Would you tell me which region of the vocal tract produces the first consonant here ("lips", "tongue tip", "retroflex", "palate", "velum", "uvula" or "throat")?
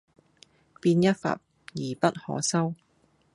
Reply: lips